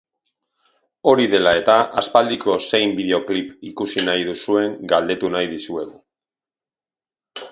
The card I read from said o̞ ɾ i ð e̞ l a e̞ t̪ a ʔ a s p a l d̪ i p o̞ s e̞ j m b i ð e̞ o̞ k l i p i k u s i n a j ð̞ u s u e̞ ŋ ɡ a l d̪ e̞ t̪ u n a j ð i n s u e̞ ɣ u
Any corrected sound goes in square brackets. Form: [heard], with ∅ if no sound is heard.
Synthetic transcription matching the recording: o̞ ɾ i ð e̞ l a e̞ t̪ a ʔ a s p a l d̪ i [k] o̞ s e̞ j m b i ð e̞ o̞ k l i p i k u s i n a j ð̞ u s u e̞ ŋ ɡ a l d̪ e̞ t̪ u n a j ð i [∅] s u e̞ ɣ u